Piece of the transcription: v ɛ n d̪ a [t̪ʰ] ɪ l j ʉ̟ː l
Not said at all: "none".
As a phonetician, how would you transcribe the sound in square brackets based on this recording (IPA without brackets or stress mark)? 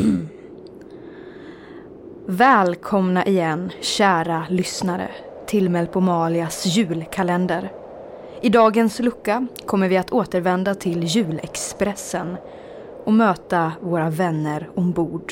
t̪ʰ